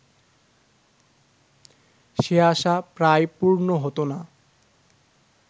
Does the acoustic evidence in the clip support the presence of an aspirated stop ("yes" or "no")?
no